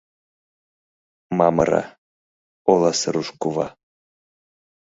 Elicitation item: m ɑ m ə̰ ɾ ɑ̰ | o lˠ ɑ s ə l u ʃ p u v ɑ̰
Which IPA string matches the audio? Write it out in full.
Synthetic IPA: m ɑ m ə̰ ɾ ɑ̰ | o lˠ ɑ s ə ɾ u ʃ k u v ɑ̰

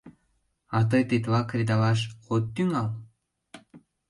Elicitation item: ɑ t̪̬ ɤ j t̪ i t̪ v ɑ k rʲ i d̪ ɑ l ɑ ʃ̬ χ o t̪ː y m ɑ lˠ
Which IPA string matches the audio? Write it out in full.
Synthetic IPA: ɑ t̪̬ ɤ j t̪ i t̪ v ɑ k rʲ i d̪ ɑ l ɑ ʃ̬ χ o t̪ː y ŋ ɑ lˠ

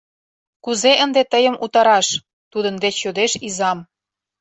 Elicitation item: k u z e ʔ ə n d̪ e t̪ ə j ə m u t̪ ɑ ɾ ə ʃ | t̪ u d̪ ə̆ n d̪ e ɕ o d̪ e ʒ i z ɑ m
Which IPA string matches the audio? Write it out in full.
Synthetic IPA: k u z e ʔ ə n d̪ e t̪ ə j ə m u t̪ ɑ ɾ ɑ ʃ | t̪ u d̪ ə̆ n d̪ e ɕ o d̪ e ʃ i z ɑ m

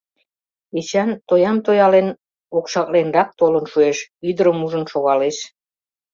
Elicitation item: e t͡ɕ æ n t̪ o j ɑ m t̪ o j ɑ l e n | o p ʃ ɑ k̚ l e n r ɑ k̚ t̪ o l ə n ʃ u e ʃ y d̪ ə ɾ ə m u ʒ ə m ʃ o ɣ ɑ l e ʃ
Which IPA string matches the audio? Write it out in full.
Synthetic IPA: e t͡ɕ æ n t̪ o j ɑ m t̪ o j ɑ l e n | o k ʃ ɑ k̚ l e n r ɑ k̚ t̪ o l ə n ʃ u e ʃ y d̪ ə ɾ ə m u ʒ ə n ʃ o ɣ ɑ l e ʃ

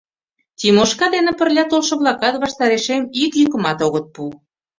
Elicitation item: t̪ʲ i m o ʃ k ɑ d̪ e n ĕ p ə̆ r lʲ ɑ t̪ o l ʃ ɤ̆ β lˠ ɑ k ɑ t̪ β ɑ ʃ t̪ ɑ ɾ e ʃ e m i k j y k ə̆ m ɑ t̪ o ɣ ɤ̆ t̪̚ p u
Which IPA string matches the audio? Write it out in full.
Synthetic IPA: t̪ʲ i m o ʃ k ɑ d̪ e n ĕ p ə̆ r lʲ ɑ t̪ o l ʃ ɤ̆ β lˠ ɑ k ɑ t̪ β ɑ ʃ t̪ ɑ ɾ e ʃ e m i k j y k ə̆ m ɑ t̪ o ɣ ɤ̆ t̪̚ p u

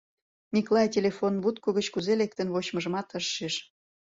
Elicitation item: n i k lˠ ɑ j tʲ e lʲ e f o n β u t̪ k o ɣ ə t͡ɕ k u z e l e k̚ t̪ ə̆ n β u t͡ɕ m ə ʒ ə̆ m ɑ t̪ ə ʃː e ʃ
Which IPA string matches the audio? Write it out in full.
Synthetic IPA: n i k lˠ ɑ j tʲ e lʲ e f o n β u t̪ k o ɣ ə t͡ɕ k u z e l e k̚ t̪ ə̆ n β o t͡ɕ m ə ʒ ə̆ m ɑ t̪ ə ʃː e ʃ

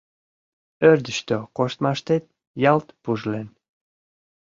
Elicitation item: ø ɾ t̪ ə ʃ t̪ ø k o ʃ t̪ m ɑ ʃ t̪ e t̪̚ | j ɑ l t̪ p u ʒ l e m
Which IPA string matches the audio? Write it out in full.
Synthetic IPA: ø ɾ d̪ ə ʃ t̪ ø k o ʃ t̪ m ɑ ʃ t̪ e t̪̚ | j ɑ l t̪ p u ʒ l e n

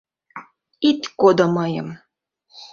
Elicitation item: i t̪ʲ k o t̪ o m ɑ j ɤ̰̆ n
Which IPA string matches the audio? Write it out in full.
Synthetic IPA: i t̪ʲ k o d̪ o m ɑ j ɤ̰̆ m

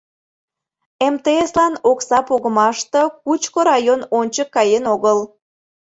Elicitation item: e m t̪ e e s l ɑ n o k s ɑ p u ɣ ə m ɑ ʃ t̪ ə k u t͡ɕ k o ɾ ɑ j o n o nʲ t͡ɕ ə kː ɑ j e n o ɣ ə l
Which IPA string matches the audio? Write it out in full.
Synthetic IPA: e m t̪ e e s l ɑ n o k s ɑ p o ɣ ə m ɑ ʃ t̪ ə k u t͡ɕ k o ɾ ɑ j o n o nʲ t͡ɕ ə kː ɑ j e n o ɣ ə l

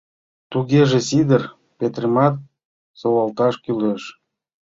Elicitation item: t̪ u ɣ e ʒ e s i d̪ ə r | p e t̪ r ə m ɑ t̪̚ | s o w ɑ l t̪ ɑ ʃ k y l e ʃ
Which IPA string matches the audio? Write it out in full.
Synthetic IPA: t̪ u ɣ e ʒ e s i d̪ ə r | p e t̪ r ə m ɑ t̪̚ | s o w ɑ l t̪ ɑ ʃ k y l e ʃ

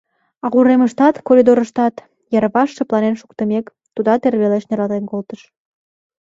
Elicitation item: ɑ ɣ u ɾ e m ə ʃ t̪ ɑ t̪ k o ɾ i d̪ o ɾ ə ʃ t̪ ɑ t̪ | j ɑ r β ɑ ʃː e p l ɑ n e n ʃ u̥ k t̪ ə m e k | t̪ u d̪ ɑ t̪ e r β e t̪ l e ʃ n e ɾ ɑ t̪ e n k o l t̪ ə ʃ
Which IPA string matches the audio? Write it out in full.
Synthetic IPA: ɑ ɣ u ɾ e m ə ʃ t̪ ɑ t̪ k o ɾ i d̪ o ɾ ə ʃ t̪ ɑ t̪ | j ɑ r β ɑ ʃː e p l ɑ n e n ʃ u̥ k t̪ ə m e k | t̪ u d̪ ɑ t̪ e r β e l e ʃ n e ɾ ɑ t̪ e n k o l t̪ ə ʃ

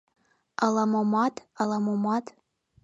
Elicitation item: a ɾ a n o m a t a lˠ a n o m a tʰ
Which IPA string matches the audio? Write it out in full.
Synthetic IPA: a l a m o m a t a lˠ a m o m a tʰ

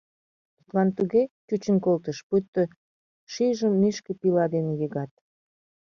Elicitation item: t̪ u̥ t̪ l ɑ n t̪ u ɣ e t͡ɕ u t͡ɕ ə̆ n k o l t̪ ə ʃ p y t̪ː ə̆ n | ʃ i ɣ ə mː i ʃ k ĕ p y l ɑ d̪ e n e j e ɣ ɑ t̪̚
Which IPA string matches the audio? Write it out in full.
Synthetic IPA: t̪ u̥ t̪ l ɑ n t̪ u ɣ e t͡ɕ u t͡ɕ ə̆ n k o l t̪ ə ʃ p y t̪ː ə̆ | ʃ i ʒ ə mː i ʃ k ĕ p i l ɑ d̪ e n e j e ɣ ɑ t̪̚

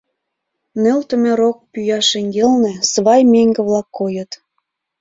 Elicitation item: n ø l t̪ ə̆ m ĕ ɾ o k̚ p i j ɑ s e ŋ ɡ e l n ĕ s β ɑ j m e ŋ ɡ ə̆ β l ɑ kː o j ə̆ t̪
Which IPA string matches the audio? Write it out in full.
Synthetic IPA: n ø l t̪ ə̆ m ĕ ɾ o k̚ p y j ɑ ʃ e ŋ ɡ e l n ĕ s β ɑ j m e ŋ ɡ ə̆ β l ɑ kː o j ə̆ t̪

